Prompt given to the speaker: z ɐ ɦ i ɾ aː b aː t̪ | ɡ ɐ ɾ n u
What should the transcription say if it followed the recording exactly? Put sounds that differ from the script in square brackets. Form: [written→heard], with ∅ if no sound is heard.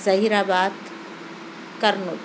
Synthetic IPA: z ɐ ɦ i ɾ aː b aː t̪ | [ɡ→k] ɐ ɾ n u